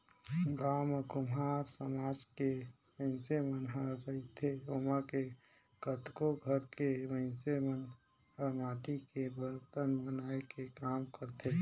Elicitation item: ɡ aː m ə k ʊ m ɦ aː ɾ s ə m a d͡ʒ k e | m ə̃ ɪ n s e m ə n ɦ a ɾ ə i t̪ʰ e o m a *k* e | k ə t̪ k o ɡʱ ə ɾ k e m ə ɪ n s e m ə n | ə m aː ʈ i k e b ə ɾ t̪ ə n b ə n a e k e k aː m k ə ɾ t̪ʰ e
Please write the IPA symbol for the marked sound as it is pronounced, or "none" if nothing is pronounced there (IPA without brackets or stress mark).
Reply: k